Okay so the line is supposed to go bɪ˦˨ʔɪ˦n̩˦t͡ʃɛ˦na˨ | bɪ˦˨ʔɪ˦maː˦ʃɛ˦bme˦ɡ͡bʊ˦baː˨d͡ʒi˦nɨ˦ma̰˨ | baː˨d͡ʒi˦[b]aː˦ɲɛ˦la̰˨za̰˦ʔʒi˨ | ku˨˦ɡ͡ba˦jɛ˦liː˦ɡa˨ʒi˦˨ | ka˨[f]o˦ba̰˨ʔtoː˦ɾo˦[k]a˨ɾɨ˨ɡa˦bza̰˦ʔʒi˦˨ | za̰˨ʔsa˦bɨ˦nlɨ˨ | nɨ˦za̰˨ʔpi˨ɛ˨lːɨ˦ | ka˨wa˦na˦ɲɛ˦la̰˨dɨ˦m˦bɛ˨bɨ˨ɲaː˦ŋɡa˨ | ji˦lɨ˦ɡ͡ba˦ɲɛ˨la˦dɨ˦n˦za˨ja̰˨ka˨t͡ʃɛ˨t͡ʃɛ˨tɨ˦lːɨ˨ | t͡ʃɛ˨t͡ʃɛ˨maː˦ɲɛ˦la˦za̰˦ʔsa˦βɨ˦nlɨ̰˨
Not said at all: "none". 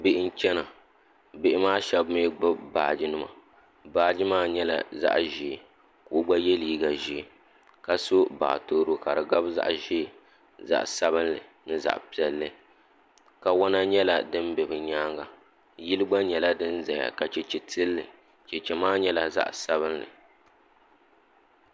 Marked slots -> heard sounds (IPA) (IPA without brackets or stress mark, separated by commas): m, s, k